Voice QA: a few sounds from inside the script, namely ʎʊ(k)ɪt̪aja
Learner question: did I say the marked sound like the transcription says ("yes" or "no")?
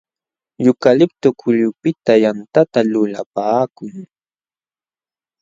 no